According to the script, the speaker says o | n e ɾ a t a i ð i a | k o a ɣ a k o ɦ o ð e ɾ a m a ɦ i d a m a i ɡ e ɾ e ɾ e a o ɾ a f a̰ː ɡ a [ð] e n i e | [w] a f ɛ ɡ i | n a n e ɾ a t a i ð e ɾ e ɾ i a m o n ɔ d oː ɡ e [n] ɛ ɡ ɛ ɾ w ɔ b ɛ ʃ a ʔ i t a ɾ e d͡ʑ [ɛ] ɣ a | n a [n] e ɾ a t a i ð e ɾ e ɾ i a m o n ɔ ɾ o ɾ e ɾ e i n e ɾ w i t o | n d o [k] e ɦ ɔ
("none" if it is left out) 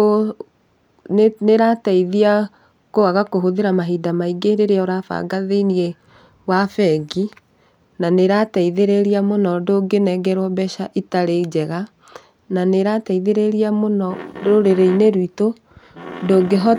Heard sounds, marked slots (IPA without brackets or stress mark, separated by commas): ð, w, n, ɛ, n, ɡ